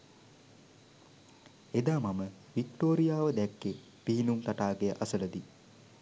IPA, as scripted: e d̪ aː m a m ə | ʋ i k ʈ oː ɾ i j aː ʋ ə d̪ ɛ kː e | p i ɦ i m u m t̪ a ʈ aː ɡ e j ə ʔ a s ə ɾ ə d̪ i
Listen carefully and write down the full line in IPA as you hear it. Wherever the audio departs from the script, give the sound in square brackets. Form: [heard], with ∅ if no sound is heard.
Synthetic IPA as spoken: e d̪ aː m a m ə | ʋ i k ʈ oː ɾ i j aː ʋ ə d̪ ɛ kː e | p i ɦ i [n] u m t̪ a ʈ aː ɡ e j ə ʔ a s ə [l] ə d̪ i

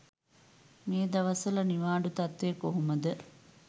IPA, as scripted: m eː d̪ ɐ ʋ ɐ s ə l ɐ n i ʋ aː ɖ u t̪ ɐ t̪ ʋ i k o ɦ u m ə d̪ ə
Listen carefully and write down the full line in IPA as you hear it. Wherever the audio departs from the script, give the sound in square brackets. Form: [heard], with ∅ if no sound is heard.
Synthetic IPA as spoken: m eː d̪ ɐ ʋ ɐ s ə l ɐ n i ʋ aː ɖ u t̪ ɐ t̪ ʋ [e] k o ɦ u m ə d̪ ə

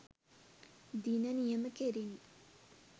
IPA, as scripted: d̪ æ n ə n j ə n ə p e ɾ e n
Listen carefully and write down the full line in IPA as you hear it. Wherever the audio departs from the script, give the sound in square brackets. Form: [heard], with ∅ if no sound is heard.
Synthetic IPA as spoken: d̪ [i] n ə n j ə [m] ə [k] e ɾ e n

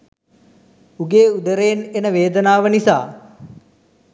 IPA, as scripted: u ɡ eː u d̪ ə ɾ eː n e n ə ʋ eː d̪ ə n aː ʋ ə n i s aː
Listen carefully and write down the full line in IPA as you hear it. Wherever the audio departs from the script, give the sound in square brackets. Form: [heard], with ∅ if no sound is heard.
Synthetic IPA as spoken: u ɡ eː u d̪ ə ɾ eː n e n ə ʋ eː d̪ ə n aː ʋ ə n i s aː

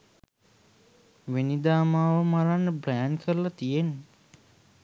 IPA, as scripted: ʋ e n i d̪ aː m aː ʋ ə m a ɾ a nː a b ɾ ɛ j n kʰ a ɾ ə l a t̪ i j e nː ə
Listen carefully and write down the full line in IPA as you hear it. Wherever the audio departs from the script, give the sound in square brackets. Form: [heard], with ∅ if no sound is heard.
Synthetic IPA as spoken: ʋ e n i d̪ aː m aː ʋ ə m a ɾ a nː [ə] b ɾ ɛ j n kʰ [ə] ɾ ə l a t̪ i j e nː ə

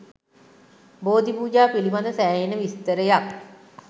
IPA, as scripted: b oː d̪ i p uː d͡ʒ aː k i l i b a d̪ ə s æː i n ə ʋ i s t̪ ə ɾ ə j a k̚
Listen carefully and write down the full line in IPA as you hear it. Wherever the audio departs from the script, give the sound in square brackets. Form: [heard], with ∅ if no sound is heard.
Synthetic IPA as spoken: b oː d̪ i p uː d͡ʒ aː [p] i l i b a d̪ ə s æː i n ə ʋ i s t̪ ə ɾ ə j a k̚

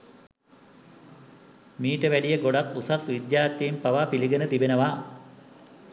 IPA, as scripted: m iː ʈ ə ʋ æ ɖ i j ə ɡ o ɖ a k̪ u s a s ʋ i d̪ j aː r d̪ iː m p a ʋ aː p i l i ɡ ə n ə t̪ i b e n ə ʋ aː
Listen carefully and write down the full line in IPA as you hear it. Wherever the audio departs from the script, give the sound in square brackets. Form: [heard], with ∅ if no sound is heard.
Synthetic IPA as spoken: m iː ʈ ə ʋ æ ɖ i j ə ɡ o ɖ a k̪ u s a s ʋ i d̪ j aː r [t̪] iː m p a ʋ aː p i l i ɡ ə n ə t̪ i b e n ə ʋ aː

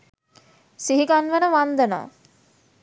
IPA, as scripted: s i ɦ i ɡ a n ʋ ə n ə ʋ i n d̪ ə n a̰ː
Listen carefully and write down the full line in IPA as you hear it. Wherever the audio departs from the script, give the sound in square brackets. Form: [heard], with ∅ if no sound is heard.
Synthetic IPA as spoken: s i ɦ i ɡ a n ʋ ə n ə ʋ [a] n d̪ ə n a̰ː

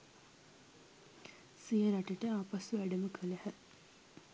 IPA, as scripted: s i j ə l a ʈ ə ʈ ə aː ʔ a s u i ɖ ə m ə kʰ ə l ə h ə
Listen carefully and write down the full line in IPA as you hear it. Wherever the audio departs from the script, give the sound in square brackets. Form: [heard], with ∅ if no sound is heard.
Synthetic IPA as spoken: s i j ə [ɾ] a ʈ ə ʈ ə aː [p] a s u [æ] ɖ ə m ə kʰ ə l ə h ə

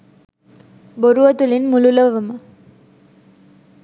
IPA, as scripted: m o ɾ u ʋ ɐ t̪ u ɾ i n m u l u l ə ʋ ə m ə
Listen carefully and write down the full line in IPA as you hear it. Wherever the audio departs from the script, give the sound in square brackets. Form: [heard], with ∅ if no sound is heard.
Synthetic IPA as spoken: [b] o ɾ u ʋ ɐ t̪ u [l] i n m u l u l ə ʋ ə m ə

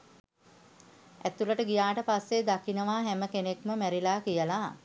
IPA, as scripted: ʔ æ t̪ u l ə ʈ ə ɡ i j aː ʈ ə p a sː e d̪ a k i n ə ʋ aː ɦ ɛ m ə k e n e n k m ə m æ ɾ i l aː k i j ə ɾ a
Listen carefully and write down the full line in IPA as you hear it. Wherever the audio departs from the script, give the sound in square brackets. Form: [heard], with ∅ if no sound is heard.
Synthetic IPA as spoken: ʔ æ t̪ u l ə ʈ ə ɡ i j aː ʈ ə p a sː e d̪ a k i n ə ʋ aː ɦ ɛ m ə k e n e [∅] k m ə m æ ɾ i l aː k i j ə [l] a

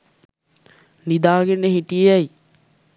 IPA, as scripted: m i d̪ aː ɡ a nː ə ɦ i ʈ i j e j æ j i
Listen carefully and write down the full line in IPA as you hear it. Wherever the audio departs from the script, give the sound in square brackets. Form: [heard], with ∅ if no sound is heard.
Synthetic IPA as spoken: [n] i d̪ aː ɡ [e] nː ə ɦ i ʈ i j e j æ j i

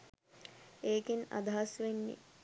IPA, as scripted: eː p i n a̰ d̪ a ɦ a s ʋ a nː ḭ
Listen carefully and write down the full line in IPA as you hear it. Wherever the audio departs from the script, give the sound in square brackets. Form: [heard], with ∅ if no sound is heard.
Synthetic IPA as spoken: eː [k] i n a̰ d̪ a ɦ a s ʋ [e] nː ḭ

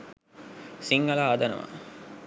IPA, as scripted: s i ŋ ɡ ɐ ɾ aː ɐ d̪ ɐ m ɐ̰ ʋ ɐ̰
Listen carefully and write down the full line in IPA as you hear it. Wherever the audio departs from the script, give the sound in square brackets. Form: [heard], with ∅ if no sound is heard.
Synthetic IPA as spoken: s i ŋ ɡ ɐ [l] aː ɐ d̪ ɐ [n] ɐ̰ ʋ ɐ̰

